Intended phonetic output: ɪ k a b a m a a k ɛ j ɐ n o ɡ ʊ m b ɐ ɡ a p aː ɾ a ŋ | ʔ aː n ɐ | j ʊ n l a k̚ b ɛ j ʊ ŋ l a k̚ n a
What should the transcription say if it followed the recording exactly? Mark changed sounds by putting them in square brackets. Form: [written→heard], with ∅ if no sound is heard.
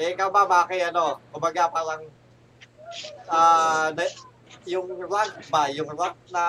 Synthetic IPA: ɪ k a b a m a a k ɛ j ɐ n o [ɡ→k] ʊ m b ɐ ɡ a p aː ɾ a ŋ | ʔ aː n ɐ | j ʊ [n→ŋ] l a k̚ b [ɛ→a] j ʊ ŋ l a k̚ n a